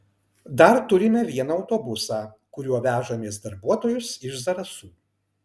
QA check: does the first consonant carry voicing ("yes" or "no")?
yes